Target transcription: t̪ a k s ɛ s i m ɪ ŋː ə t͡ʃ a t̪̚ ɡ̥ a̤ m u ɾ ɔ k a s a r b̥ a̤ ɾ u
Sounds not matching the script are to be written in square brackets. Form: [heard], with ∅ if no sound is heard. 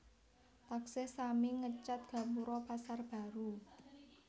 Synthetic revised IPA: t̪ a k s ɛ s [a] m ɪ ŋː ə t͡ʃ a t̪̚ ɡ̥ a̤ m u ɾ ɔ [p] a s a r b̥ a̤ ɾ u